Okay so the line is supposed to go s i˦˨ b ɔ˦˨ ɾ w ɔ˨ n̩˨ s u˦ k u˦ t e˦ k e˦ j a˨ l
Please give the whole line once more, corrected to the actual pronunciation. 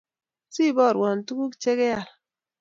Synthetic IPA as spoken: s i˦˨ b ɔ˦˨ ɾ w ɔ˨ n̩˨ t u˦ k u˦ t͡ʃ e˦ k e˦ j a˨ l